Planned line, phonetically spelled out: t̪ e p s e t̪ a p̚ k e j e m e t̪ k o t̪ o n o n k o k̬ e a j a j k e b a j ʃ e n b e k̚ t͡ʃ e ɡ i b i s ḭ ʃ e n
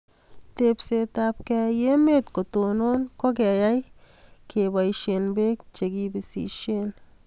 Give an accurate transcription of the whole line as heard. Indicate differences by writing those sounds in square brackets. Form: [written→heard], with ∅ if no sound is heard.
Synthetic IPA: t̪ e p s e t̪ a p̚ k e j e m e t̪ k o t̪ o n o n k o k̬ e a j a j k e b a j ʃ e n b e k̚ t͡ʃ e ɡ i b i s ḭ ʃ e n

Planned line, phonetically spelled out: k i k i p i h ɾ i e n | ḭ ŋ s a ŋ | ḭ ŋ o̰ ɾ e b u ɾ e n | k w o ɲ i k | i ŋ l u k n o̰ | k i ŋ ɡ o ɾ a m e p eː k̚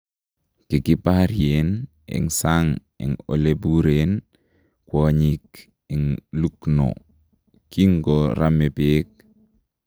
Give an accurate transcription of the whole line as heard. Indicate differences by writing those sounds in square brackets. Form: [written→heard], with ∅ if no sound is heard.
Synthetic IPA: k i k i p [i→a] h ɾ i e n | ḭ ŋ s a ŋ | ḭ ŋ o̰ [ɾ→l] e b u ɾ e n | k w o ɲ i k | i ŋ l u k n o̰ | k i ŋ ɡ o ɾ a m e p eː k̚

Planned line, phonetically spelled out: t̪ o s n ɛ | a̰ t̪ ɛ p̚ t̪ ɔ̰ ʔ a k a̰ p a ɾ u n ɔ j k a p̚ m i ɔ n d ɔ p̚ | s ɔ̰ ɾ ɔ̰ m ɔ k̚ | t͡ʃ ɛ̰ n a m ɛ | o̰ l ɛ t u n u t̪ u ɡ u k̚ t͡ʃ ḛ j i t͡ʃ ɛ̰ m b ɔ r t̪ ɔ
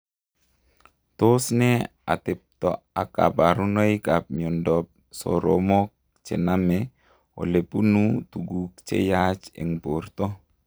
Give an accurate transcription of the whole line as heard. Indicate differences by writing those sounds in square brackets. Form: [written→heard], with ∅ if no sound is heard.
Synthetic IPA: t̪ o s n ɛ | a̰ t̪ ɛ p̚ t̪ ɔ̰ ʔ a k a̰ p a ɾ u n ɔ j k a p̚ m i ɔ n d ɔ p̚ | s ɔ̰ ɾ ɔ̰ m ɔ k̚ | t͡ʃ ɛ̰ n a m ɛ | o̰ l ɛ [t→p] u n u t̪ u ɡ u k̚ t͡ʃ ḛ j [i→a] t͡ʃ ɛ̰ [m→ŋ] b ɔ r t̪ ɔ

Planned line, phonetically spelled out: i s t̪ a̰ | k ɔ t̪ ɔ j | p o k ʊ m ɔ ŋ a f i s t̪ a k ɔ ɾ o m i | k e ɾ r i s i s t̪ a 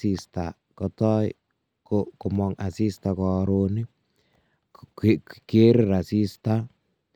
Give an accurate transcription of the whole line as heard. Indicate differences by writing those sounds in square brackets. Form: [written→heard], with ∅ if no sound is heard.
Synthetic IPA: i s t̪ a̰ | k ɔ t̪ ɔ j | [p→k] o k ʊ m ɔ ŋ a [f→s] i s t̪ a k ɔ ɾ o [m→n] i | k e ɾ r [i→a] s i s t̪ a

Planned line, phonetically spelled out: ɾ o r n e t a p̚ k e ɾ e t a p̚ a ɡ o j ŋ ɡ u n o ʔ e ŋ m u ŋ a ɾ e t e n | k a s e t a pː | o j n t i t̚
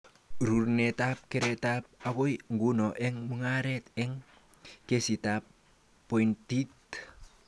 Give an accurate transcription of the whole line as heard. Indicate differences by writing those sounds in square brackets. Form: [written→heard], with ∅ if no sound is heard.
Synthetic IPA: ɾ [o→u] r n e t a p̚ k e ɾ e t a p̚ a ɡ o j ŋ ɡ u n o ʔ e ŋ m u ŋ a ɾ e t e [n→ŋ] | k [a→e] s [e→i] t a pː | o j n t i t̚

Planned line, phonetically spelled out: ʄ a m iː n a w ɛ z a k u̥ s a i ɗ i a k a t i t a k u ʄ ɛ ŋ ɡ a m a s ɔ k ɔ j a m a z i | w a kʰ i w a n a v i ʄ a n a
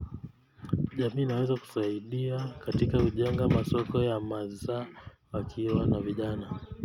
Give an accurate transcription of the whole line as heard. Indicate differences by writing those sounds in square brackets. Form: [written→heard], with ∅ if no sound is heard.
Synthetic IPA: ʄ a m iː n a w ɛ z a k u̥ s a i ɗ i a k a t i [t→k] a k u ʄ ɛ ŋ ɡ a m a s ɔ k ɔ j a m a z [i→a] | w a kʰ i w a n a v i ʄ a n a

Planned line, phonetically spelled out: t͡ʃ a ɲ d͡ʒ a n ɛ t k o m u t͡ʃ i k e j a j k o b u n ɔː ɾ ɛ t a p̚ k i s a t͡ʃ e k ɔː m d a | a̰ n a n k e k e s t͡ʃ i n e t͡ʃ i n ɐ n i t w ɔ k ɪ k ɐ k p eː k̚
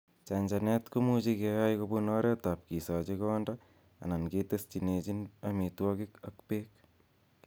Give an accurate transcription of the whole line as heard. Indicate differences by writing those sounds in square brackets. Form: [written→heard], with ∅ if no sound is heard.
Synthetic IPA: t͡ʃ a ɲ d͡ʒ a n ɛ t k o m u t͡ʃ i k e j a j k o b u n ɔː ɾ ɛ t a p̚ k i s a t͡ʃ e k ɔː [m→n] d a | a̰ n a n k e [k→t] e s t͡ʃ i n e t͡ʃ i n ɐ [n→m] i t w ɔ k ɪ k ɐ k p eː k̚

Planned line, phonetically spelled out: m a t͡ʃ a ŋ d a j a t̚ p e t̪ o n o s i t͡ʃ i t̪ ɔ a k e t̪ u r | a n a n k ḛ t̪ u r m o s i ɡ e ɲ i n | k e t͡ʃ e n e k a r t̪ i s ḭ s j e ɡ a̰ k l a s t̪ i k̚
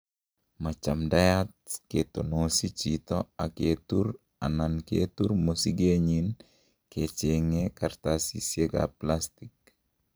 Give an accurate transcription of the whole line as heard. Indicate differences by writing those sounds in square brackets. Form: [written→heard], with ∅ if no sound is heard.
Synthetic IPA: m a t͡ʃ a [ŋ→m] d a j a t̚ [p→k] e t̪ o n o s i t͡ʃ i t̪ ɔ a k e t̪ u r | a n a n k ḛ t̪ u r m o s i ɡ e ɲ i n | k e t͡ʃ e [n→ŋ] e k a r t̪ [i→a] s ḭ s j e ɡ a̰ [k→p] l a s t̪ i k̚

